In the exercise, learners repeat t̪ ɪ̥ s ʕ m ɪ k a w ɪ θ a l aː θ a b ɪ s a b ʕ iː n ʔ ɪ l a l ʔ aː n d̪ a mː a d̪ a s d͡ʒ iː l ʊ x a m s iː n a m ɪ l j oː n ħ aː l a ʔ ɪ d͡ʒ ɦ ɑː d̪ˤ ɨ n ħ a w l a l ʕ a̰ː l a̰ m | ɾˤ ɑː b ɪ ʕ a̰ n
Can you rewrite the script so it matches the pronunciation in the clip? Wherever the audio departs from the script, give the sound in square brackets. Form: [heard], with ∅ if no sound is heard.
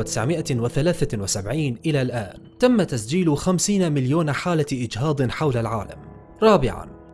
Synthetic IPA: t̪ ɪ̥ s ʕ m ɪ [ʔ] a w ɪ θ a l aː θ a [w] ɪ s a b ʕ iː n ʔ ɪ l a l ʔ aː n [t̪] a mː a [t̪] a s d͡ʒ iː l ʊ x a m s iː n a m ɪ l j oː n ħ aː l a ʔ ɪ d͡ʒ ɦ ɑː d̪ˤ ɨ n ħ a w l a l ʕ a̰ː l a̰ m | ɾˤ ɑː b ɪ ʕ a̰ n